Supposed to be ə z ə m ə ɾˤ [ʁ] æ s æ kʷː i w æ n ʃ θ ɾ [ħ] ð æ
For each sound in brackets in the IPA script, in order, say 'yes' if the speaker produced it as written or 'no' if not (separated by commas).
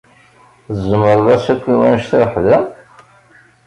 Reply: no, yes